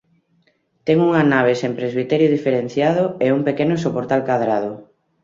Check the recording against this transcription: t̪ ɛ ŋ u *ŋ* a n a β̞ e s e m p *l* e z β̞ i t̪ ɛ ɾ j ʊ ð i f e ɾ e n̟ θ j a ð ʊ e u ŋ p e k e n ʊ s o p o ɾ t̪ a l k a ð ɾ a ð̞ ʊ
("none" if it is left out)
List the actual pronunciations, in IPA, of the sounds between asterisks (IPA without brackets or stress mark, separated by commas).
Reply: ŋ, ɾ